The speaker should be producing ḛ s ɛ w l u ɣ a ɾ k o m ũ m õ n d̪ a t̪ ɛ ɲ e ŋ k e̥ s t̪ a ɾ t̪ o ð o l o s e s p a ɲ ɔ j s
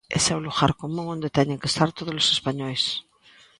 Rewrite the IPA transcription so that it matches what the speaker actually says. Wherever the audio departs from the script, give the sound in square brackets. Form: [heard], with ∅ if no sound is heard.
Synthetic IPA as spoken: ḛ s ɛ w l u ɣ a ɾ k o m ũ [ŋ] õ n d̪ [e] t̪ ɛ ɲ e ŋ k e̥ s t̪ a ɾ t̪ o ð o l o s e s p a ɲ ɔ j s